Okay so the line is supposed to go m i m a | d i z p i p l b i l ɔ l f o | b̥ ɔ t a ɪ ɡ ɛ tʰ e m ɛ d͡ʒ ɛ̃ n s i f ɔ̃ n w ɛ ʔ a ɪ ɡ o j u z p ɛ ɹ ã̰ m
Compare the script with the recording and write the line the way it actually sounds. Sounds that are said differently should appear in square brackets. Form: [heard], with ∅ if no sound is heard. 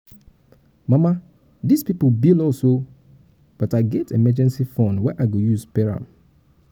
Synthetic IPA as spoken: m [a] m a | d i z p i p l b i l ɔ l [s] o | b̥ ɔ t a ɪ ɡ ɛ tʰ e m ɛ d͡ʒ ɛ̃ n s i f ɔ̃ n w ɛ ʔ a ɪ ɡ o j u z p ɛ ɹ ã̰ m